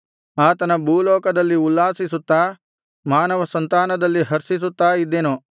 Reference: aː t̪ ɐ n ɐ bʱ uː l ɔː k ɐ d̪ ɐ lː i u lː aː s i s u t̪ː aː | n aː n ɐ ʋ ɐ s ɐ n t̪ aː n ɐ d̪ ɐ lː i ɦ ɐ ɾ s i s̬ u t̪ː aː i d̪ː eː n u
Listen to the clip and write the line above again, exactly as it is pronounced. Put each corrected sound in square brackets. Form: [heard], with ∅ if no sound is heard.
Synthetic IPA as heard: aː t̪ ɐ n ɐ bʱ uː l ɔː k ɐ d̪ ɐ lː i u lː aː s i s u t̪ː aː | [m] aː n ɐ ʋ ɐ s ɐ n t̪ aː n ɐ d̪ ɐ lː i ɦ ɐ ɾ s i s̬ u t̪ː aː i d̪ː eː n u

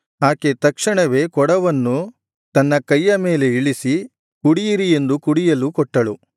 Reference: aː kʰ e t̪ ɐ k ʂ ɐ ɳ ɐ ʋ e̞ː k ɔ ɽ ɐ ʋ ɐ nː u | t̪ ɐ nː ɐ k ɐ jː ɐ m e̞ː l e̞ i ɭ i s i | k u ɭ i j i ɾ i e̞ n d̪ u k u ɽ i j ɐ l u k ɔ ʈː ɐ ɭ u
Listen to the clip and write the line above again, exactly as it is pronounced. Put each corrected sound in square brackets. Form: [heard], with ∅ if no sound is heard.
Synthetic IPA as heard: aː [k] e t̪ ɐ k ʂ ɐ ɳ ɐ ʋ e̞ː k ɔ ɽ ɐ ʋ ɐ nː u | t̪ ɐ nː ɐ k ɐ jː ɐ m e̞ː l e̞ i ɭ i s i | k u [ɽ] i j i ɾ i e̞ n d̪ u k u ɽ i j ɐ l u k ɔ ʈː ɐ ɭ u

